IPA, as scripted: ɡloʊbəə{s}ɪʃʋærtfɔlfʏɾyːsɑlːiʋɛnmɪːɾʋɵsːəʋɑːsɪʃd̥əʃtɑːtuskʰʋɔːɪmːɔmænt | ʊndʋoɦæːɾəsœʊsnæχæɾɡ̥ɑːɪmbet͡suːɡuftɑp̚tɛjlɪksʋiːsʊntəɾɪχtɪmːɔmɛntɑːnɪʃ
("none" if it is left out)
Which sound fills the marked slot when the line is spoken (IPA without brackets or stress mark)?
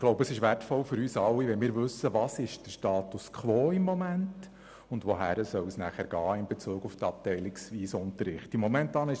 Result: s